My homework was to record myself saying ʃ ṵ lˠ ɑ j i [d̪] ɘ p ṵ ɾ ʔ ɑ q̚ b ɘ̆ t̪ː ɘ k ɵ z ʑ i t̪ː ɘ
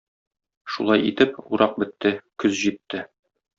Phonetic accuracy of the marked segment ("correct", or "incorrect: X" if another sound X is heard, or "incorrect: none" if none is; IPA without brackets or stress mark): incorrect: t̪